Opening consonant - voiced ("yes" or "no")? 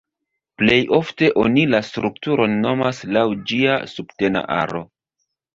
no